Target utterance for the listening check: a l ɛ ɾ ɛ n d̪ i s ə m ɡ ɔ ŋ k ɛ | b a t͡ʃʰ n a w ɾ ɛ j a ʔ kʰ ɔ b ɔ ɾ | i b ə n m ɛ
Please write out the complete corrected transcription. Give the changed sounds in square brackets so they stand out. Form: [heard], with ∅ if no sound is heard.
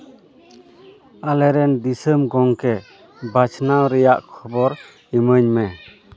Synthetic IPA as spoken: a l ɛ ɾ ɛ n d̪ i s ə m ɡ ɔ ŋ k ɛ | b a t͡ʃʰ n a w ɾ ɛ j a ʔ kʰ ɔ b ɔ ɾ | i [m] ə [ɲ] m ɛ